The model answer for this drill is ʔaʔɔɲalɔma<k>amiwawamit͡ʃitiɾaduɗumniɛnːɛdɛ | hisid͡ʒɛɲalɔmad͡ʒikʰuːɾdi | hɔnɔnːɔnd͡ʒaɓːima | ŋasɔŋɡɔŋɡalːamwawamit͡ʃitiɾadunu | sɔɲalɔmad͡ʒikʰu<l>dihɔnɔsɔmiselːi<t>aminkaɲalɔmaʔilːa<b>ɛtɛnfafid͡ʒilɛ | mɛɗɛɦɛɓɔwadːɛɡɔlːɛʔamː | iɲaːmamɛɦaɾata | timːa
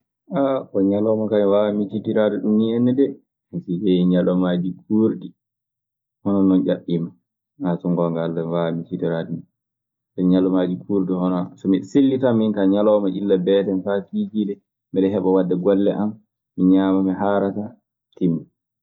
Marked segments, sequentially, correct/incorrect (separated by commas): correct, incorrect, correct, correct